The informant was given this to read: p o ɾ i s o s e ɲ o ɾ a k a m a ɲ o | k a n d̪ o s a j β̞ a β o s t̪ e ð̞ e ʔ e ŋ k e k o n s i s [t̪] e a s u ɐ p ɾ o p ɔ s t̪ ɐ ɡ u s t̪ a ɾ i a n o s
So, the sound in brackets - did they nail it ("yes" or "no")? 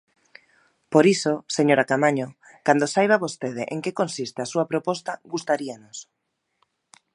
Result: yes